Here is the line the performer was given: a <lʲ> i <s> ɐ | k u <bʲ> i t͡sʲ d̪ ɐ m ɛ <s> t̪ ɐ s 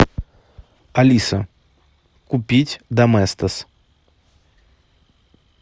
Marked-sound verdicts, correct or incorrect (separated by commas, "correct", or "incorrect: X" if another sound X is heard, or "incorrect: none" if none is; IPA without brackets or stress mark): correct, correct, incorrect: pʲ, correct